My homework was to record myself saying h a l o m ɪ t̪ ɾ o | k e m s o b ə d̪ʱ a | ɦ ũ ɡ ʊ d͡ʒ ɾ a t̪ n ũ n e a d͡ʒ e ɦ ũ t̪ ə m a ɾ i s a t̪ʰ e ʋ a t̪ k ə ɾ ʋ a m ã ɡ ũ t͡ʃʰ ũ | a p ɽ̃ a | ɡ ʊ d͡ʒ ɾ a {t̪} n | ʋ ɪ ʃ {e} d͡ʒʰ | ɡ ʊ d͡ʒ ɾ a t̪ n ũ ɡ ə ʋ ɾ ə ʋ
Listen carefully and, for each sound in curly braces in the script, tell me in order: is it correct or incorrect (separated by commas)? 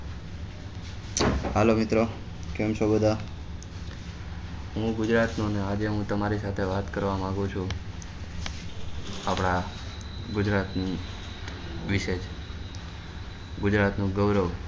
correct, correct